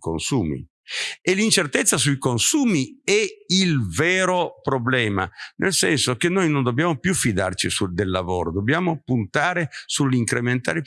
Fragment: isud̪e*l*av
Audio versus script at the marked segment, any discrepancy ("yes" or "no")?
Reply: yes